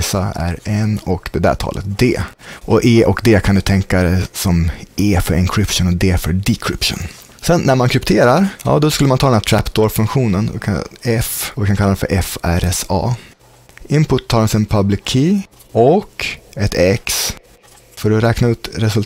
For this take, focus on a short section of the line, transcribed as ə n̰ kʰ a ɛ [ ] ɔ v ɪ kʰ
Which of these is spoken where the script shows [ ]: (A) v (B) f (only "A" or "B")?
B